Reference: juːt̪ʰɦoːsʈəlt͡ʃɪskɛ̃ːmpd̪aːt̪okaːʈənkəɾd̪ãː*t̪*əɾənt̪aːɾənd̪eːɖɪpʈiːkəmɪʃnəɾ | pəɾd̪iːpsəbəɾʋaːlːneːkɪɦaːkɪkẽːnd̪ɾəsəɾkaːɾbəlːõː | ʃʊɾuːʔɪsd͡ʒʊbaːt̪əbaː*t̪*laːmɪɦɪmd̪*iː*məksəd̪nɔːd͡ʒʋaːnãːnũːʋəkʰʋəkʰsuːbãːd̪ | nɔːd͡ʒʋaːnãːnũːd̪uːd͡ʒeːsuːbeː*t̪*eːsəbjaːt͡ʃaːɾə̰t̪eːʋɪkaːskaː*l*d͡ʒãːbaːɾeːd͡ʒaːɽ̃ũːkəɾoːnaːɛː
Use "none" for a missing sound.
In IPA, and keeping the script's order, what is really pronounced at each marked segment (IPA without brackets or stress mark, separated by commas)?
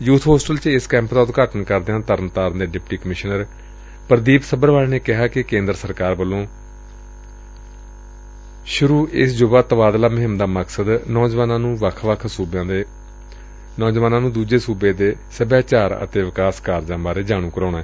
t̪, d̪, aː, d̪, ɾ